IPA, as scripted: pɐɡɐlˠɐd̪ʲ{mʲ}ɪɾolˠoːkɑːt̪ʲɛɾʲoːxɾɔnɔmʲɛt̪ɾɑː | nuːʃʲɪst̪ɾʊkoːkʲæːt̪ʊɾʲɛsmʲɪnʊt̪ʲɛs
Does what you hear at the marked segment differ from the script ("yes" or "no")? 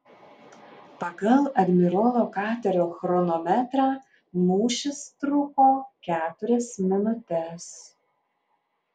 no